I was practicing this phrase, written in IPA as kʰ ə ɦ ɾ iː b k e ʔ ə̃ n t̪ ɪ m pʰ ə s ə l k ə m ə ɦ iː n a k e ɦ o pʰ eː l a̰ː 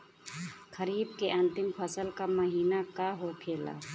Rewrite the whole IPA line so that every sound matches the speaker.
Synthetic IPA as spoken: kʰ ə ɾ iː b k e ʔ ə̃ n t̪ ɪ m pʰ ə s ə l k a m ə ɦ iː n a k a ɦ o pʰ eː l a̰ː